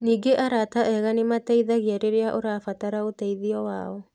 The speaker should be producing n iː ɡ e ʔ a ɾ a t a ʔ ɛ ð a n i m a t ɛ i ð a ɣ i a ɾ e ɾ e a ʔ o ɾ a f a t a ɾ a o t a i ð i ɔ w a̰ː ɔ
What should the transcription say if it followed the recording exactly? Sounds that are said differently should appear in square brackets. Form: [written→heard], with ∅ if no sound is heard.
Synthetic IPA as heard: n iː ɡ e ʔ a ɾ a t a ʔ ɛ [ð→ɣ] a n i m a t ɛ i ð a ɣ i a ɾ e ɾ e a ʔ o ɾ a f a t a ɾ a o t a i ð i ɔ w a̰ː ɔ